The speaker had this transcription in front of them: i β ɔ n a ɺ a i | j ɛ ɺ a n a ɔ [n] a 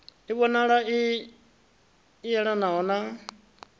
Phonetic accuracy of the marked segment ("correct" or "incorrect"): correct